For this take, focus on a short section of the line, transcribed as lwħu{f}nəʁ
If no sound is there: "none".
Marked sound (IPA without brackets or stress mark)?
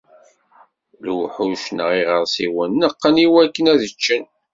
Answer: ʃ